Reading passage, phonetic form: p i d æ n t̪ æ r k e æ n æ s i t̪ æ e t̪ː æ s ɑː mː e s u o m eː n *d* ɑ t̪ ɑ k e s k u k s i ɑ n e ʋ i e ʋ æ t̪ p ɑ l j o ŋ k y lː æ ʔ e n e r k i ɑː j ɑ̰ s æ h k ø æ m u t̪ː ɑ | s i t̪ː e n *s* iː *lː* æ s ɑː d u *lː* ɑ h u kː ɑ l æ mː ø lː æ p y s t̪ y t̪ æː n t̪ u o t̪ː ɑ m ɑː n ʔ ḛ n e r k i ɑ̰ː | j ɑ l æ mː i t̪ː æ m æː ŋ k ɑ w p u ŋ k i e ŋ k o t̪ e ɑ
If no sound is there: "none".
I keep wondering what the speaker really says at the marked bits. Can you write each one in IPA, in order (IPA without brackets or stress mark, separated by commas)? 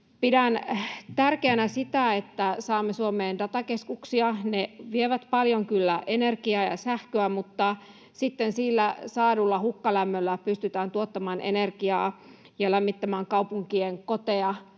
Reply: d, s, lː, lː